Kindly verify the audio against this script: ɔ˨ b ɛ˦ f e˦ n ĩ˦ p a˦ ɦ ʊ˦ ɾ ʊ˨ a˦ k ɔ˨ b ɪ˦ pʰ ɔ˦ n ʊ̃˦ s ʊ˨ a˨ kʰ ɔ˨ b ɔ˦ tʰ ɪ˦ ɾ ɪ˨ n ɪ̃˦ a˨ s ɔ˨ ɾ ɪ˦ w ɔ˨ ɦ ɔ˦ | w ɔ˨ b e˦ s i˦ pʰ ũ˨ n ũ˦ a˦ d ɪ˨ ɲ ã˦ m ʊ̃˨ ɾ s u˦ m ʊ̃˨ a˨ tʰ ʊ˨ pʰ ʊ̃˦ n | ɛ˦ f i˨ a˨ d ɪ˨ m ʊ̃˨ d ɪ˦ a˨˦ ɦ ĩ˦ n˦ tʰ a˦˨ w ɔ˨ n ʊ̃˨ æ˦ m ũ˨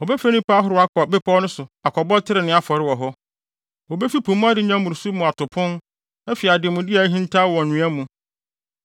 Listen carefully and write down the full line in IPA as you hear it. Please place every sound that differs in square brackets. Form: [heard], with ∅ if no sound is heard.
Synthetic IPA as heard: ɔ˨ b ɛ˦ f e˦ n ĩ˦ p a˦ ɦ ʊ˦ ɾ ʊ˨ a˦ k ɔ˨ b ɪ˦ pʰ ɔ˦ n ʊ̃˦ s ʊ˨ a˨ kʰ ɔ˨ b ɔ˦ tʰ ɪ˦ ɾ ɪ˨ n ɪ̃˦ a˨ [f] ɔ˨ ɾ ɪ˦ w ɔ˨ ɦ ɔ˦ | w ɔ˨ b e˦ [f] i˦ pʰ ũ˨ [m] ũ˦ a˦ d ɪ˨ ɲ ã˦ m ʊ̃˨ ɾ s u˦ m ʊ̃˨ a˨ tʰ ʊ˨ pʰ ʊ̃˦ n | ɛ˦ f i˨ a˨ d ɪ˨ m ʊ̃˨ d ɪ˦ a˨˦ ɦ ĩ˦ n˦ tʰ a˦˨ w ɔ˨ n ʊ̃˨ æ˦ m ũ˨